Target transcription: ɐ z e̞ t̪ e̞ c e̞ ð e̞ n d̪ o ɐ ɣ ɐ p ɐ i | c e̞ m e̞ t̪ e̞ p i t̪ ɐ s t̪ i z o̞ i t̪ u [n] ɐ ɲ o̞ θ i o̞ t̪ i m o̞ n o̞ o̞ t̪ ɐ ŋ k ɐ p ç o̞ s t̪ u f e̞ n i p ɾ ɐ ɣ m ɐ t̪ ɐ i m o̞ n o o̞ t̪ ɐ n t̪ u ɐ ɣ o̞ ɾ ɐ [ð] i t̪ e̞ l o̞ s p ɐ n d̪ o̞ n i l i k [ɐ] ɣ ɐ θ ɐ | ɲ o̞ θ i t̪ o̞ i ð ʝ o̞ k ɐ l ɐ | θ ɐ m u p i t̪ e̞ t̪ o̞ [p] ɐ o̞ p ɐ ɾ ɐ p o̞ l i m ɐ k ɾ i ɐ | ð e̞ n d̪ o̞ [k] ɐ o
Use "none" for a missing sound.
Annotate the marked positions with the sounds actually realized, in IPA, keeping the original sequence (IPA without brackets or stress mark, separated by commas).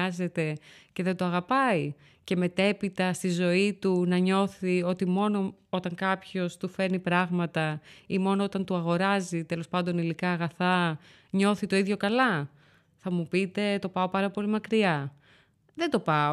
n, z, ɐː, p, p